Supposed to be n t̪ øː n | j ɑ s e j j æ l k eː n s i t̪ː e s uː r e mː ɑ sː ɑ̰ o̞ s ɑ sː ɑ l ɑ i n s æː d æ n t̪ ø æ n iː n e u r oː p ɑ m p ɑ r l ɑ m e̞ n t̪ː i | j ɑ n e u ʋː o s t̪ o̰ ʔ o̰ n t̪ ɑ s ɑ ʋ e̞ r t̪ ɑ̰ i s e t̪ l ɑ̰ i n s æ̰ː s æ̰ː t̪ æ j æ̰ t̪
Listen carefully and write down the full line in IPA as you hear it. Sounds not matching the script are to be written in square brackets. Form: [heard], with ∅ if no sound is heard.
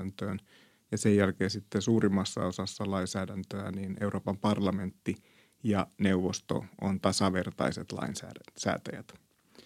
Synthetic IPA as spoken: n t̪ øː n | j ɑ s e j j æ l k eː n s i t̪ː e s uː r [i] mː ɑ sː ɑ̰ o̞ s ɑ sː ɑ l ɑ i n s æː d æ n t̪ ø æ n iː n e u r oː p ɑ m p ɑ r l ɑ m e̞ n t̪ː i | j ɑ n e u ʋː o s t̪ o̰ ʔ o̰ n t̪ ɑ s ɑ ʋ e̞ r t̪ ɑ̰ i s e t̪ l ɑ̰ i n s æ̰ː s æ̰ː t̪ æ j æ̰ t̪